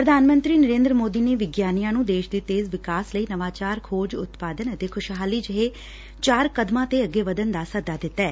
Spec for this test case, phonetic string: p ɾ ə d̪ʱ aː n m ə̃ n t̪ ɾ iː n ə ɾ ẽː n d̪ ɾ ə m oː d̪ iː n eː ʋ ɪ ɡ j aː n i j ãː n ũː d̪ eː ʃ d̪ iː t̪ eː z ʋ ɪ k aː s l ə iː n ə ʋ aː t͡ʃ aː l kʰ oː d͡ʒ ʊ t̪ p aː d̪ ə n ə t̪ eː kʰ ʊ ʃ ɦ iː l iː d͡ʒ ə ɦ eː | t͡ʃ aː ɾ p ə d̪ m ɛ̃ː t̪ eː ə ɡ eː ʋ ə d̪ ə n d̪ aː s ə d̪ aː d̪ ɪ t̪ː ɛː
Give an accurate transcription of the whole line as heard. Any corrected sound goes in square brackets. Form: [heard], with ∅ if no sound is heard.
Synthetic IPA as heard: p ɾ ə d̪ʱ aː n m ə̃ n t̪ ɾ iː n ə ɾ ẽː n d̪ ɾ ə m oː d̪ iː n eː ʋ ɪ ɡ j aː n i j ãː n ũː d̪ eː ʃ d̪ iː t̪ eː z ʋ ɪ k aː s l ə iː n ə ʋ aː t͡ʃ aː [ɾ] kʰ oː d͡ʒ ʊ t̪ p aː d̪ ə n ə t̪ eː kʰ ʊ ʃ ɦ [aː] l iː d͡ʒ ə ɦ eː | t͡ʃ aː ɾ [k] ə d̪ m [ãː] t̪ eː ə ɡ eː ʋ ə d̪ ə n d̪ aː s ə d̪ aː d̪ ɪ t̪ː ɛː

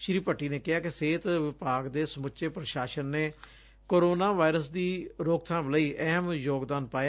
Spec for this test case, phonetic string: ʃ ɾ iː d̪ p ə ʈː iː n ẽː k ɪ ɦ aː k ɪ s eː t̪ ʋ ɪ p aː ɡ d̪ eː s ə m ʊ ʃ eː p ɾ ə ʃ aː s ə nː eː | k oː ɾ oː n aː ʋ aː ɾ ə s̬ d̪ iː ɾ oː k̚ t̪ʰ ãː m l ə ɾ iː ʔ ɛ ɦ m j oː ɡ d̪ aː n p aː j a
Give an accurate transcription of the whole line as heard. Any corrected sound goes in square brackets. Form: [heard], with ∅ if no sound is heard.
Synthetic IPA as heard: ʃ ɾ iː [∅] p ə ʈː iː n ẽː k ɪ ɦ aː k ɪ s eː t̪ ʋ ɪ p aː ɡ d̪ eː s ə m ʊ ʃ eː p ɾ ə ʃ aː [ʃ] ə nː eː | k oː ɾ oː n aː ʋ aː ɾ ə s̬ d̪ iː ɾ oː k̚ t̪ʰ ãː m l ə [∅] iː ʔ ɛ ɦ m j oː ɡ d̪ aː n p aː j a

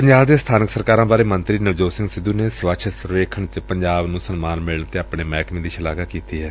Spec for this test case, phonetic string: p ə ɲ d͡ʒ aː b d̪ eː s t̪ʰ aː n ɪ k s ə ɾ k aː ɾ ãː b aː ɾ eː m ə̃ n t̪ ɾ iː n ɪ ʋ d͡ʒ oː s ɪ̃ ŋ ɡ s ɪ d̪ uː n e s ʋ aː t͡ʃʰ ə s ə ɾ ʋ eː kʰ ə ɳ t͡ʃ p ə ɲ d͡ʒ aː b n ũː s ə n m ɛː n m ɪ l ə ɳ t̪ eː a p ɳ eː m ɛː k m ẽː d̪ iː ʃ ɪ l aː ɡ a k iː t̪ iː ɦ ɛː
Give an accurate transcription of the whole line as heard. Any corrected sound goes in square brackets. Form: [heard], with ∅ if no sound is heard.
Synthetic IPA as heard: p ə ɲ d͡ʒ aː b d̪ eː s t̪ʰ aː n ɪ k s ə ɾ k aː ɾ ãː b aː ɾ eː m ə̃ n t̪ ɾ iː n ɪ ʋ d͡ʒ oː s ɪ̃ ŋ ɡ s ɪ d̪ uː n e s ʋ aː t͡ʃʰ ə s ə ɾ ʋ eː kʰ ə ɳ t͡ʃ p ə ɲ d͡ʒ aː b n ũː s ə n m [aː] n m ɪ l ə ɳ t̪ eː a p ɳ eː m ɛː k m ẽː d̪ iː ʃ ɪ l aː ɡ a k iː t̪ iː ɦ ɛː

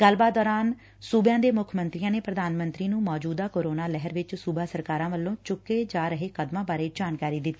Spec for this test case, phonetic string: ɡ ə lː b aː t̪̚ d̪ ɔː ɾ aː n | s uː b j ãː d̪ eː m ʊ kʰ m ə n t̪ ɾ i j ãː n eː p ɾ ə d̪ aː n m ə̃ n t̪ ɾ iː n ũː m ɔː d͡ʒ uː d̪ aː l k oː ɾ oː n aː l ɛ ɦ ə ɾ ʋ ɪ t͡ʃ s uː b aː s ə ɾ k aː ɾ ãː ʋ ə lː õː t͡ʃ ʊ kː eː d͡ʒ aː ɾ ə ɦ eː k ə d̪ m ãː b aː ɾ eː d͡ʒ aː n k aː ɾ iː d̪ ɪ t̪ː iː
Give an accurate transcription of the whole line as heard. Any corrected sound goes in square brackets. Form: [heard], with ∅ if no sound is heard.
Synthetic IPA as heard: ɡ ə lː b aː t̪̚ d̪ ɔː ɾ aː n | s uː b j ãː d̪ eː m ʊ kʰ m ə n t̪ ɾ i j ãː n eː p ɾ ə d̪ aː n m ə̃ n t̪ ɾ iː n ũː m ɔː d͡ʒ uː d̪ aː [∅] k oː ɾ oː n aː l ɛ ɦ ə ɾ ʋ ɪ t͡ʃ s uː b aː s ə ɾ k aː ɾ ãː ʋ ə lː õː t͡ʃ ʊ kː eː d͡ʒ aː ɾ ə ɦ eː k ə d̪ m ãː b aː ɾ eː d͡ʒ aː n k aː ɾ iː d̪ ɪ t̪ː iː

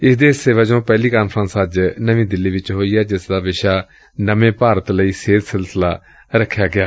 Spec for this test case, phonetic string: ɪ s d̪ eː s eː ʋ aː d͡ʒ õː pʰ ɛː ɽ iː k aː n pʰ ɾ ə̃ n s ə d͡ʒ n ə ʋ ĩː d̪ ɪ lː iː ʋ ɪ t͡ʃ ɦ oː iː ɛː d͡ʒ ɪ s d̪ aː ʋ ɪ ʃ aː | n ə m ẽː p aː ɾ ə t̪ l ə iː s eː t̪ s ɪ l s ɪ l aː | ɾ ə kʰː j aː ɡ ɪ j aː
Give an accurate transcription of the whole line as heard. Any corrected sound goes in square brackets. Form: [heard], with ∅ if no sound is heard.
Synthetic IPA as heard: ɪ s d̪ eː s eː ʋ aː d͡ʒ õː [p] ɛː [l] iː k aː n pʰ ɾ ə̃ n s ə d͡ʒ n ə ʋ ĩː d̪ ɪ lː iː ʋ ɪ t͡ʃ ɦ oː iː ɛː d͡ʒ ɪ s d̪ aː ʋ ɪ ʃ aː | n ə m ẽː p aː ɾ ə t̪ l ə iː s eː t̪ s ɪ l s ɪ l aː | ɾ ə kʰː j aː ɡ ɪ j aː

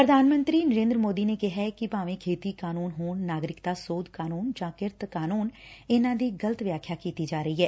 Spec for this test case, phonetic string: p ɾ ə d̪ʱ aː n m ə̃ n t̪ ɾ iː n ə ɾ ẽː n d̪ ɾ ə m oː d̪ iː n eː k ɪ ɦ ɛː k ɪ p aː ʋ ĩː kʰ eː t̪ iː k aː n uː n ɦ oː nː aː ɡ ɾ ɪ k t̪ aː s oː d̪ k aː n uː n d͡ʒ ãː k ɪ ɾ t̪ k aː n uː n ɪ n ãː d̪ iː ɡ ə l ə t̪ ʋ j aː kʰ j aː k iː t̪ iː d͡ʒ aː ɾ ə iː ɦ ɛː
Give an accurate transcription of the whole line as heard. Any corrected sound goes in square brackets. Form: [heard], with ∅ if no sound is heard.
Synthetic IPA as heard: p ɾ ə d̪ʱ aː n m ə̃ n t̪ ɾ iː n ə ɾ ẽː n d̪ ɾ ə m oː d̪ iː n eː k ɪ ɦ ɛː k ɪ p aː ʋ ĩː kʰ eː t̪ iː k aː n uː n ɦ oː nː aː ɡ ɾ ɪ k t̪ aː s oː d̪ k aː n uː n d͡ʒ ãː k ɪ ɾ t̪ k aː n uː n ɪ n ãː d̪ iː ɡ ə l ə t̪ ʋ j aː kʰ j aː k iː t̪ iː d͡ʒ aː ɾ ə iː ɦ ɛː

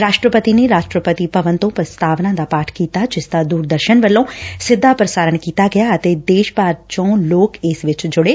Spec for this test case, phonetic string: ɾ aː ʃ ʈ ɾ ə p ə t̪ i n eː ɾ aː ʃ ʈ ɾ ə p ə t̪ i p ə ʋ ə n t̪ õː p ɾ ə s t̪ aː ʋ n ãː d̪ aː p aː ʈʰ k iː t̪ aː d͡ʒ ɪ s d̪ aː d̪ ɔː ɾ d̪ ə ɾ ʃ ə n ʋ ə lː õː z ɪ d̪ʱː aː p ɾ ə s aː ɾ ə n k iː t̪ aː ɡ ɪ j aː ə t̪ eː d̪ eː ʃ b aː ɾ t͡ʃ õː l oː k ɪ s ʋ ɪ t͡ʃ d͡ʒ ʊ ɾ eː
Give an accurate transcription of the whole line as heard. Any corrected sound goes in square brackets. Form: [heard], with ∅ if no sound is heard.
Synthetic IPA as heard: ɾ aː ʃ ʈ ɾ ə p ə t̪ i n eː ɾ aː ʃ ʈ ɾ ə p ə t̪ i p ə ʋ ə n t̪ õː p ɾ ə s t̪ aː ʋ n ãː d̪ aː p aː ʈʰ k iː t̪ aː d͡ʒ ɪ s d̪ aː d̪ [uː] ɾ d̪ ə ɾ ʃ ə n ʋ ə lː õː [s] ɪ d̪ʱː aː p ɾ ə s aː ɾ ə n k iː t̪ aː ɡ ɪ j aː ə t̪ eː d̪ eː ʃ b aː ɾ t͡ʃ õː l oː k ɪ s ʋ ɪ t͡ʃ d͡ʒ ʊ [ɽ] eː

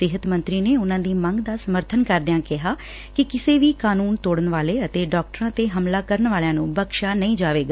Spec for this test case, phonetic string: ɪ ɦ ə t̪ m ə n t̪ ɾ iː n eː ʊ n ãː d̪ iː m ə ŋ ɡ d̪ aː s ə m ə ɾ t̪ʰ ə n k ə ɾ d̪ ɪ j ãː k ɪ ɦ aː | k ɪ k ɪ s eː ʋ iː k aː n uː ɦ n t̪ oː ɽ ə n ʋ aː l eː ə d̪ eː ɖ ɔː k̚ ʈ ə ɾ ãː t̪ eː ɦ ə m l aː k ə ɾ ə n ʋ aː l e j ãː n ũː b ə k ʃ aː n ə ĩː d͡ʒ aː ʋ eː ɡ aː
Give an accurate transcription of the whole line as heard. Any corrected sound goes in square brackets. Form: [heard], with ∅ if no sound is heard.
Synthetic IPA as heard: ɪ ɦ ə t̪ m ə n t̪ ɾ iː n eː ʊ n ãː d̪ iː m ə ŋ ɡ d̪ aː s ə m ə ɾ t̪ʰ ə n k ə ɾ d̪ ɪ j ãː k ɪ ɦ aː | k ɪ k ɪ s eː ʋ iː k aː n uː [∅] n t̪ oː ɽ ə n ʋ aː l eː ə [t̪] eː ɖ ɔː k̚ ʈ ə ɾ ãː t̪ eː ɦ ə m l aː k ə ɾ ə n ʋ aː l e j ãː n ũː b ə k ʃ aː n ə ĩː d͡ʒ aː ʋ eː ɡ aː

